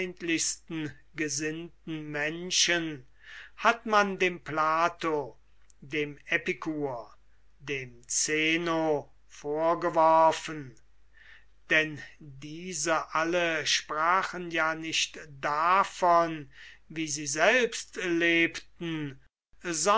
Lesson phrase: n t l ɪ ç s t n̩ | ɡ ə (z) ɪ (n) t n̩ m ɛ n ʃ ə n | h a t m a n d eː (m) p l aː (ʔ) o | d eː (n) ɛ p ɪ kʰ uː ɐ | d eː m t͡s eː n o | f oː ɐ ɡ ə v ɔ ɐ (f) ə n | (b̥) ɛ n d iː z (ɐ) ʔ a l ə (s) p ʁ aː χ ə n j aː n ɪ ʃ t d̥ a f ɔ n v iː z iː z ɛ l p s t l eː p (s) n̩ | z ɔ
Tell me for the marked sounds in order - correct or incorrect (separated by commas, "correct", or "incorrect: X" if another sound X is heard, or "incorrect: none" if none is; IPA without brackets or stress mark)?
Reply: correct, correct, correct, incorrect: t, incorrect: m, correct, incorrect: d̥, incorrect: ə, incorrect: ʃ, incorrect: t